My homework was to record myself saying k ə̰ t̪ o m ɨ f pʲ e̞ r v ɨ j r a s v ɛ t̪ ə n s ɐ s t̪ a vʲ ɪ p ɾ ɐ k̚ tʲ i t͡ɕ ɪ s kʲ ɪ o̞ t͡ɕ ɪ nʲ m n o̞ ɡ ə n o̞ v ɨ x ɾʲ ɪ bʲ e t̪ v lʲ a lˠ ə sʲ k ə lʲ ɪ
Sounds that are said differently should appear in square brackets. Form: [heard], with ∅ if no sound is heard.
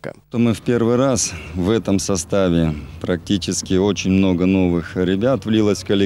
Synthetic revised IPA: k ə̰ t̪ o m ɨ f pʲ e̞ r v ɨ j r a s v ɛ t̪ ə [m] s ɐ s t̪ a vʲ ɪ p ɾ ɐ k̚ tʲ i t͡ɕ ɪ s kʲ ɪ o̞ t͡ɕ ɪ nʲ m n o̞ ɡ ə n o̞ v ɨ x ɾʲ ɪ bʲ [a] t̪ v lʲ [i] lˠ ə sʲ k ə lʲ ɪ

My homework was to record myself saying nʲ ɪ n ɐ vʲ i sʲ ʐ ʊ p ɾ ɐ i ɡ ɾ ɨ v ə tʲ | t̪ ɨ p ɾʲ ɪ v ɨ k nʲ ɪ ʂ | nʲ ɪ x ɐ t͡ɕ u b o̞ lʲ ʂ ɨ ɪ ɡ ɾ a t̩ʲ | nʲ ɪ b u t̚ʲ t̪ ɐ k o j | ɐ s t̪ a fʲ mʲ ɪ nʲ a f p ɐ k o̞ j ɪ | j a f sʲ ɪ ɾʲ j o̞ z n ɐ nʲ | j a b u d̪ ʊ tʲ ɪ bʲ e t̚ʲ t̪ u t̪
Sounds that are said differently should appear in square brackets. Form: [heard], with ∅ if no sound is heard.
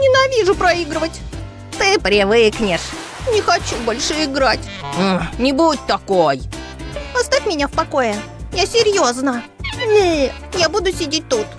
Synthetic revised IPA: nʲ ɪ n ɐ vʲ i [∅] ʐ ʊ p ɾ ɐ i ɡ ɾ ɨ v ə tʲ | t̪ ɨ p ɾʲ ɪ v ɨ k nʲ ɪ ʂ | nʲ ɪ x ɐ t͡ɕ u b o̞ lʲ ʂ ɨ ɪ ɡ ɾ a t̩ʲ | nʲ ɪ b u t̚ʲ t̪ ɐ k o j | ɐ s t̪ a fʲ mʲ ɪ nʲ a f p ɐ k o̞ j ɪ | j a [∅] sʲ ɪ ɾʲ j o̞ z n [ə] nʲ | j a b u d̪ ʊ [sʲ] ɪ [dʲ] e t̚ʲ t̪ u t̪

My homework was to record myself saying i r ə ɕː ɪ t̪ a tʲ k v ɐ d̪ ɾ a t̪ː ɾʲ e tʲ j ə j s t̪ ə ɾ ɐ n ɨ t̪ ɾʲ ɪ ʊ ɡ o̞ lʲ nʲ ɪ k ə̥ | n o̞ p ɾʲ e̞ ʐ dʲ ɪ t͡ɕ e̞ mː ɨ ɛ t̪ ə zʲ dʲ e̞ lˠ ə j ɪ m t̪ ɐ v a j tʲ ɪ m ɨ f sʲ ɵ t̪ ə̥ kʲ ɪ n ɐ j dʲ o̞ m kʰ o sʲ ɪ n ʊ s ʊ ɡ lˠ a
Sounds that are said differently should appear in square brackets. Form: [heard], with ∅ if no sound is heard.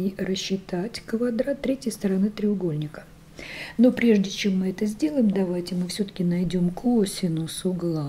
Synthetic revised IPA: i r ə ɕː ɪ t̪ a tʲ k v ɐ d̪ ɾ a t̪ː ɾʲ e tʲ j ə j s t̪ ə ɾ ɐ n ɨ t̪ ɾʲ ɪ ʊ ɡ o̞ lʲ nʲ ɪ k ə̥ | n o̞ p ɾʲ e̞ ʐ dʲ ɪ t͡ɕ e̞ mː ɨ ɛ t̪ ə zʲ dʲ e̞ lˠ ə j ɪ m [d̪] ɐ v a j tʲ ɪ m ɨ f sʲ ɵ t̪ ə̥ kʲ ɪ n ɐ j dʲ o̞ m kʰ o sʲ ɪ n ʊ s ʊ ɡ lˠ a

